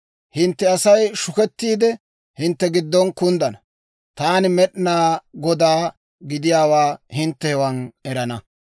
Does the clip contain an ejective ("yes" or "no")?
no